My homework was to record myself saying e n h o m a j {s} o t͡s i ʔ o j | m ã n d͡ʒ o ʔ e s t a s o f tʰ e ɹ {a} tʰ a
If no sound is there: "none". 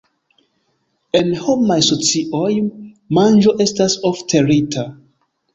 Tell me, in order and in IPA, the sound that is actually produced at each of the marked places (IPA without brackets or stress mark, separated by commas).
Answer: s, i